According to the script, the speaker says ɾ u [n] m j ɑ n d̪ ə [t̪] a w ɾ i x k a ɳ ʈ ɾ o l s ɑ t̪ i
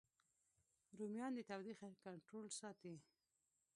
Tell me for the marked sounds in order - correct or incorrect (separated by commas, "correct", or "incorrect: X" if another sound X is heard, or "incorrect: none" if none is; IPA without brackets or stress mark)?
incorrect: none, correct